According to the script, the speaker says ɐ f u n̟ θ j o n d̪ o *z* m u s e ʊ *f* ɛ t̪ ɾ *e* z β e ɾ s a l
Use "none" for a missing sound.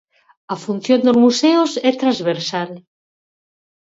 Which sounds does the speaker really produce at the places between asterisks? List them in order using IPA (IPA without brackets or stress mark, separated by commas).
z, s, a